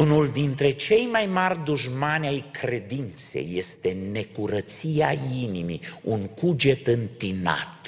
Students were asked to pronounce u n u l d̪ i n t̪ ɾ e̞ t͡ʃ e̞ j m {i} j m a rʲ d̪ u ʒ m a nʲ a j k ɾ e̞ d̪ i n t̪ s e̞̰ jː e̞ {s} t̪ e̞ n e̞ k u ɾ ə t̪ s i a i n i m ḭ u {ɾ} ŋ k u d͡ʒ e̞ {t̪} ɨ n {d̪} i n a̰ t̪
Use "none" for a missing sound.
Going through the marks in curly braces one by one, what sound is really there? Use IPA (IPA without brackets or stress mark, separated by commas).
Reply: a, s, none, t̪, t̪